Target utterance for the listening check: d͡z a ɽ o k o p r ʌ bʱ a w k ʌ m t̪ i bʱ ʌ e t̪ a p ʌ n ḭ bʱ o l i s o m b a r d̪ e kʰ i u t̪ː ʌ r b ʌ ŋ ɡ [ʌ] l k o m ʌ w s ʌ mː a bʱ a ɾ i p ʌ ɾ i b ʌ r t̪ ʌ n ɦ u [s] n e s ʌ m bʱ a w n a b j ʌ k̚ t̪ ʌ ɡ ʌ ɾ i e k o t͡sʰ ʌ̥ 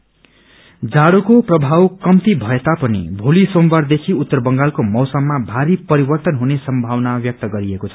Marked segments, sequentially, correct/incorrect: incorrect: a, incorrect: none

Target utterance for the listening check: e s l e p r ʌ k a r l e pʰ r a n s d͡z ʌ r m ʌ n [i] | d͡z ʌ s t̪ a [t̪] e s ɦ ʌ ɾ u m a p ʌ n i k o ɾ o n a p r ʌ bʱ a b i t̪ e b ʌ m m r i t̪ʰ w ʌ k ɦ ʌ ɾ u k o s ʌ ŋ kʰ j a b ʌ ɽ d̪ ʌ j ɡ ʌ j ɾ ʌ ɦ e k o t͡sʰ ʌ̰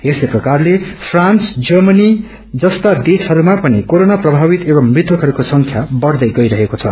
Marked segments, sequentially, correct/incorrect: correct, incorrect: d̪

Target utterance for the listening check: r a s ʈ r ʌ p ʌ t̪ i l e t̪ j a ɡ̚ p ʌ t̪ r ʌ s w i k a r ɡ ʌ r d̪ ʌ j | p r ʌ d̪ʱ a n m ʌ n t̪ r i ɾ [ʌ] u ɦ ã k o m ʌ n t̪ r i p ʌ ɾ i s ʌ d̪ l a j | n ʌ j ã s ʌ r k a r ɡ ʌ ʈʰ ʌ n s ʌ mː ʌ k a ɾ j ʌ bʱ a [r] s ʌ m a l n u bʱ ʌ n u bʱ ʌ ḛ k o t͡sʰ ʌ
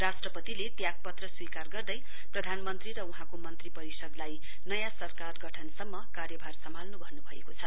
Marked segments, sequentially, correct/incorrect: correct, correct

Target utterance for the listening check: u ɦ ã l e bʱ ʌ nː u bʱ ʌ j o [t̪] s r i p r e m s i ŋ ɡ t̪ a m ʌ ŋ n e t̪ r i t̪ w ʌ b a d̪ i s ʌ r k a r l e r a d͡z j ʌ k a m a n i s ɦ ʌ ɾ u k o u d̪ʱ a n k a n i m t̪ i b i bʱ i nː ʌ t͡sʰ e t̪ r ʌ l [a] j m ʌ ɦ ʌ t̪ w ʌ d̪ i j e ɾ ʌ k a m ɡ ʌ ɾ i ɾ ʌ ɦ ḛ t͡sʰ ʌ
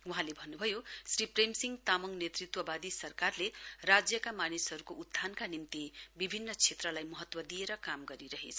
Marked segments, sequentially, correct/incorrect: incorrect: none, correct

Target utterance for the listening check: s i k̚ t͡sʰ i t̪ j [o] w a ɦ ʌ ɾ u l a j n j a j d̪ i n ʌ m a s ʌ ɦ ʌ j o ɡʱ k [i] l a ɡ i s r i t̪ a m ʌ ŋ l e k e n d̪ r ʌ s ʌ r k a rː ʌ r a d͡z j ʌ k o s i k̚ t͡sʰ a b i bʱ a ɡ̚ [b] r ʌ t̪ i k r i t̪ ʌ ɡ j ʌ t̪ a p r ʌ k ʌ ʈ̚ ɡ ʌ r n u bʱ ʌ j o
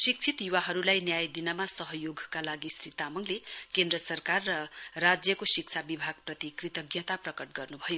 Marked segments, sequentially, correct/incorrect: incorrect: u, incorrect: a, incorrect: p

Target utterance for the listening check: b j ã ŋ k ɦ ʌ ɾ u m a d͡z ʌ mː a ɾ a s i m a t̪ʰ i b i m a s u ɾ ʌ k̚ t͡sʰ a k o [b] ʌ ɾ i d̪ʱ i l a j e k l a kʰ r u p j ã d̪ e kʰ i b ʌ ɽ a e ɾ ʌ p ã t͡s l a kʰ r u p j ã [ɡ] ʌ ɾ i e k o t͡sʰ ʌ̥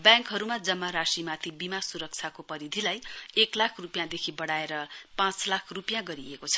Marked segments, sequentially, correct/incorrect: incorrect: p, correct

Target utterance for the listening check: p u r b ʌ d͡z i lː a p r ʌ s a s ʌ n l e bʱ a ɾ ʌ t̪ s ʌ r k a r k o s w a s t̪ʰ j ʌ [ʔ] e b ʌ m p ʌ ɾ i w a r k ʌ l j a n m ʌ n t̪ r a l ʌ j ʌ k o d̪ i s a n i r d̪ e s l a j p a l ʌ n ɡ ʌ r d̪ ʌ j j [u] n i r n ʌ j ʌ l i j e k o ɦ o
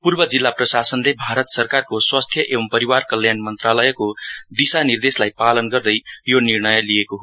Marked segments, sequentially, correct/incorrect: correct, incorrect: o

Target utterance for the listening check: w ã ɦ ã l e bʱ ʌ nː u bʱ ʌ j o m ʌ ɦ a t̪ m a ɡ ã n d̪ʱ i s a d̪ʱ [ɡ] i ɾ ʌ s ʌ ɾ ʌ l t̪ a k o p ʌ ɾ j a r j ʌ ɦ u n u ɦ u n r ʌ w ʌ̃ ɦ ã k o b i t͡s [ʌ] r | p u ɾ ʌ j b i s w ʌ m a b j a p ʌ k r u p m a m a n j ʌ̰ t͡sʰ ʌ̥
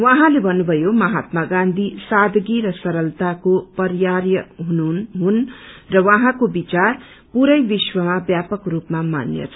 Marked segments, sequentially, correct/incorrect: correct, incorrect: a

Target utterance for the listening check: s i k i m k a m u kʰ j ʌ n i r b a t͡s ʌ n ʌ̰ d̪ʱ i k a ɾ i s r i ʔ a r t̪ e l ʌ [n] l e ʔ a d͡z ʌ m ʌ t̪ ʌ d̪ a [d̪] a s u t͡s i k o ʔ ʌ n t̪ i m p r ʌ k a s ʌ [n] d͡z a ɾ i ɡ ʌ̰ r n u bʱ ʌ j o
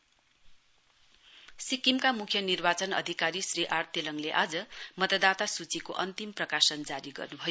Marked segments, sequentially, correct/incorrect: incorrect: ŋ, incorrect: t̪, correct

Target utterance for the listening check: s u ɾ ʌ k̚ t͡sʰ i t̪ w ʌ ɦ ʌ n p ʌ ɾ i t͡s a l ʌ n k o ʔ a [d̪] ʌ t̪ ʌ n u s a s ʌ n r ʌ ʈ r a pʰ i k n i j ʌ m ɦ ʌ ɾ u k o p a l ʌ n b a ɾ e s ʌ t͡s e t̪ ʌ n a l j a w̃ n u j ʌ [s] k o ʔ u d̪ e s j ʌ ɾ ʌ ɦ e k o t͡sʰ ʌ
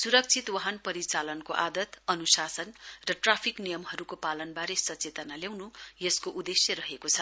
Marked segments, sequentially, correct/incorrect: correct, correct

